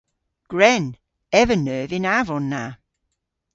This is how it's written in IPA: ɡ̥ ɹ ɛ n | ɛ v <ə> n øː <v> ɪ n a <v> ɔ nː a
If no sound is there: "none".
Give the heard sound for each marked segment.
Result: ə, v, v

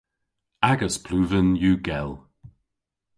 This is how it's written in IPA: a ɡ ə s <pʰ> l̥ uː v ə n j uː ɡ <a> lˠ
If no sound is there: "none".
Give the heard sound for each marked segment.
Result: pʰ, ɛ

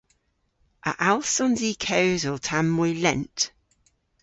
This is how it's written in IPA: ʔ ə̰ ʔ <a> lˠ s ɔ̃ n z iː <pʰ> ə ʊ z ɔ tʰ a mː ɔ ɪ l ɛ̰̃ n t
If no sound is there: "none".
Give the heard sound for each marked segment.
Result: a, kʰ

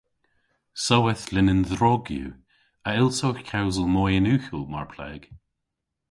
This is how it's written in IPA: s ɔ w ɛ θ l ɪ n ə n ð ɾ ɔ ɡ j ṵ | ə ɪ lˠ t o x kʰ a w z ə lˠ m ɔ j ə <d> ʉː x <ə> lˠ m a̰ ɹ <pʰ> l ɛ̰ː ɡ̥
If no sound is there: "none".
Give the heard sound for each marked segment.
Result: n, ə, pʰ

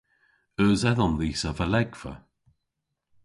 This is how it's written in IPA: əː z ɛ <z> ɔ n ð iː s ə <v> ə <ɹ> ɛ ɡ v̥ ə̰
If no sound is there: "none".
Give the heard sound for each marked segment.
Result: ð, v, l

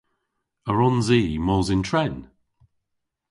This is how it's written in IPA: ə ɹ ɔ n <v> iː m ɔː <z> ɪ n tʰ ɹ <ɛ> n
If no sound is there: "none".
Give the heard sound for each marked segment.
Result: z, z, ɛ

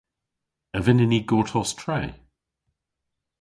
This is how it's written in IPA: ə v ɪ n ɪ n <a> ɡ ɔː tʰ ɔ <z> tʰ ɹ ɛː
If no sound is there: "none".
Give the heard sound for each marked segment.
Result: i, s

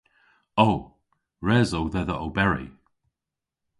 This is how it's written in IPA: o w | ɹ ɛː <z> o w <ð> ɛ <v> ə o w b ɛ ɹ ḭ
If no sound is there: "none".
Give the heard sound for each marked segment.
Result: z, ð, ð

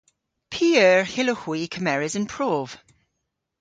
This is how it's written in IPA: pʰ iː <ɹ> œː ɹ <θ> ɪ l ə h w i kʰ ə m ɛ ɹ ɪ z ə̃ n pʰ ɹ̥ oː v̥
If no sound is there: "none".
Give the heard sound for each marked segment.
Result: none, h

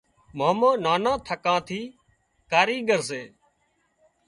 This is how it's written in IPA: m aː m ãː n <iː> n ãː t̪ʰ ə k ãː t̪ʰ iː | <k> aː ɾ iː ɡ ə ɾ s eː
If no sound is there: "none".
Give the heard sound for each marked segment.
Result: aː, k

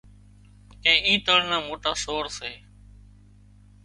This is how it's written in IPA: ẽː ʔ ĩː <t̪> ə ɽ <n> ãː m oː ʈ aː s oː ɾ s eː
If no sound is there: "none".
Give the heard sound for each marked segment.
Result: t̪, n

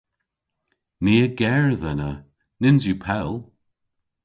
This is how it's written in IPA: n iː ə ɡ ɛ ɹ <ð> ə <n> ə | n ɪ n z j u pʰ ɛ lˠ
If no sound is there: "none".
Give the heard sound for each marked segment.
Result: ð, n

